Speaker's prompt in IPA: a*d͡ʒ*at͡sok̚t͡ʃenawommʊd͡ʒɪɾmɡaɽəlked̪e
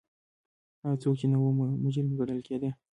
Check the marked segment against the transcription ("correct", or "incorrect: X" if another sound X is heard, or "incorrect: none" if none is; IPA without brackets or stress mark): incorrect: none